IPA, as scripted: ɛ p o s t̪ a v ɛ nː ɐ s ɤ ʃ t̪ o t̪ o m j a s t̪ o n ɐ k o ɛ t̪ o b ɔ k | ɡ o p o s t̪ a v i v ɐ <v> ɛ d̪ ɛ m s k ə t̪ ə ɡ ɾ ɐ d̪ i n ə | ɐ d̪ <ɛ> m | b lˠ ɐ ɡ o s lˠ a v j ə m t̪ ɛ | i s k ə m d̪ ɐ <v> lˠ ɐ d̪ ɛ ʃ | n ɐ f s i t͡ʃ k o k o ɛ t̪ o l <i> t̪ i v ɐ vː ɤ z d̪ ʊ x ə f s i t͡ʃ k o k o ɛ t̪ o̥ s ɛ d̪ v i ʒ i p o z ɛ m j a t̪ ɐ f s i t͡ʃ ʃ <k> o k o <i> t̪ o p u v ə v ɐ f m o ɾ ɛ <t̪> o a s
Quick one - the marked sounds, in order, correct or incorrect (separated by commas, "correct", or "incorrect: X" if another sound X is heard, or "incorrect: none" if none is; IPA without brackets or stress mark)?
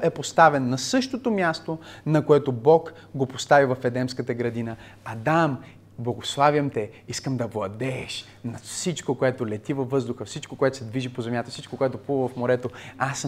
incorrect: f, incorrect: a, correct, incorrect: ɛ, correct, incorrect: ɛ, correct